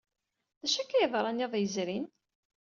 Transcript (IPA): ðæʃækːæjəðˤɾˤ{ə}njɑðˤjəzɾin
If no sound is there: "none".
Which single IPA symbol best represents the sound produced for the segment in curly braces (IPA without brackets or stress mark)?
ɑ